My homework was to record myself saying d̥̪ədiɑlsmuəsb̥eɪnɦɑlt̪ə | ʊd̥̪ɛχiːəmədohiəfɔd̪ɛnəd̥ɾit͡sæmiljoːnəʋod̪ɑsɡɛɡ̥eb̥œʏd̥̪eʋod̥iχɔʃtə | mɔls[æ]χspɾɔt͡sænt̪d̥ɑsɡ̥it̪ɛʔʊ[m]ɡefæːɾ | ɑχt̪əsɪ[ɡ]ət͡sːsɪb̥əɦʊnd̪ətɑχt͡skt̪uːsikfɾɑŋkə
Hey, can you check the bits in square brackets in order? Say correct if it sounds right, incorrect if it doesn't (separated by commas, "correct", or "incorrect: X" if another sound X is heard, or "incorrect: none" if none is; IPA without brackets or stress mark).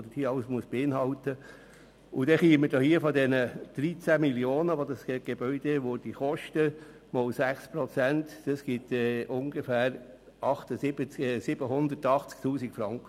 correct, incorrect: ŋ, incorrect: b